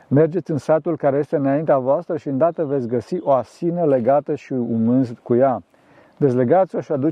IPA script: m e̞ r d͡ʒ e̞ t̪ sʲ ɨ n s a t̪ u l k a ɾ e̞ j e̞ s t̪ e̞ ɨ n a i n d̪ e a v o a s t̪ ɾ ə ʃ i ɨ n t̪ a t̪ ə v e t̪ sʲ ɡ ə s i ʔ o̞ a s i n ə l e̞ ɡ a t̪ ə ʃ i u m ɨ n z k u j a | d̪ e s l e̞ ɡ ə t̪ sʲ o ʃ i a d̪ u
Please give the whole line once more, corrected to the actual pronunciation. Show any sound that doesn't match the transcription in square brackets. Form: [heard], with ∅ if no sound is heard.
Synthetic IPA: m e̞ r d͡ʒ e̞ t̪ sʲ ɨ n s a t̪ u l k a ɾ e̞ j e̞ s t̪ e̞ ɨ n a i n [t̪] e a v o a s t̪ ɾ ə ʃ i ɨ n [d̪] a t̪ ə v e t̪ sʲ ɡ ə s i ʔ o̞ a s i n ə l e̞ ɡ a t̪ ə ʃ i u m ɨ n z k u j a | d̪ e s l e̞ ɡ [a] t̪ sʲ o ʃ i a d̪ u